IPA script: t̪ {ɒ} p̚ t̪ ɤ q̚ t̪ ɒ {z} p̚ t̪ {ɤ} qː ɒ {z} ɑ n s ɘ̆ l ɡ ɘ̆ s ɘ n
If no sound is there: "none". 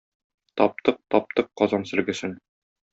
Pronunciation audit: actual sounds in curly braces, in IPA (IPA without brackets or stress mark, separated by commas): ɒ, none, ɤ, z